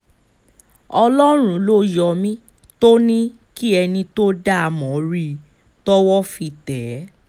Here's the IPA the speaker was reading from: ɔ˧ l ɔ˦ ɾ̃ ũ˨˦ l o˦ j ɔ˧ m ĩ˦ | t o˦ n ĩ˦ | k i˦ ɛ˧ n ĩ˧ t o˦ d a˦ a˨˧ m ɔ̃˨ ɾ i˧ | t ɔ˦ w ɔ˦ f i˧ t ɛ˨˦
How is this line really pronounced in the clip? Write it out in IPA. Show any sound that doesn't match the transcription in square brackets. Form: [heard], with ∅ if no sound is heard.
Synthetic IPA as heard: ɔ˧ l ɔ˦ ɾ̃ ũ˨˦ l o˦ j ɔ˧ m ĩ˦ | t o˦ n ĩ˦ | k i˦ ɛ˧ n ĩ˧ t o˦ d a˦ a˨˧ m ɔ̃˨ ɾ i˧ | t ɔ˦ w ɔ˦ f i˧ t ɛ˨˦